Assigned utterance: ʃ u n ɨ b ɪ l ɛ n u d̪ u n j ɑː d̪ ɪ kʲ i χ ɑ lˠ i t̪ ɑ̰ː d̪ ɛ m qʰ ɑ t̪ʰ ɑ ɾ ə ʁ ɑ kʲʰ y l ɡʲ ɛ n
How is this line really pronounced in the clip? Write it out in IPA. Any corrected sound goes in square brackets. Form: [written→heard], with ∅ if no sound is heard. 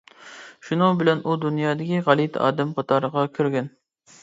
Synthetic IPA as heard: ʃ u n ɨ b ɪ l ɛ n u d̪ u n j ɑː d̪ ɪ kʲ i [χ→ʁ] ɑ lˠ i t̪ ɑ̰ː d̪ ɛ m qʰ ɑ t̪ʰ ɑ ɾ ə ʁ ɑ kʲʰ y [l→ɾ] ɡʲ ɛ n